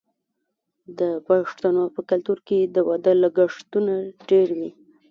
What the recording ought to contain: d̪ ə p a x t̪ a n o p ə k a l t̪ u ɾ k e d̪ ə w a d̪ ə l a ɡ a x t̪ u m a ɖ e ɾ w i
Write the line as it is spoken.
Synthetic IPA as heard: d̪ ə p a ʂ t̪ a n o p ə k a l t̪ u ɾ k e d̪ ə w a d̪ ə l a ɡ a ʂ t̪ u n a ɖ e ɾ w i